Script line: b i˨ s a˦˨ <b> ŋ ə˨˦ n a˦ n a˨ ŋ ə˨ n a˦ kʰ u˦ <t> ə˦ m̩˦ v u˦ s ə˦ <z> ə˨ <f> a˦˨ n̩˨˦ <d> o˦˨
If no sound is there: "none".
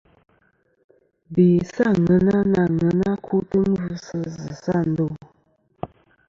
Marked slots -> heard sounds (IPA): none, t, z, s, d

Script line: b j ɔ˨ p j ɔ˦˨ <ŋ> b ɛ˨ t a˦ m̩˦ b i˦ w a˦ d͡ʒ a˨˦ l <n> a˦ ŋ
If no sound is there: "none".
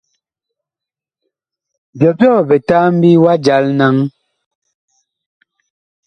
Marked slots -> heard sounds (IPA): none, n

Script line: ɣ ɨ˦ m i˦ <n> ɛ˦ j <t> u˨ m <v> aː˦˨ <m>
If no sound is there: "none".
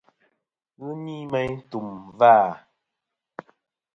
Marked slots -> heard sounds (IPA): m, t, v, none

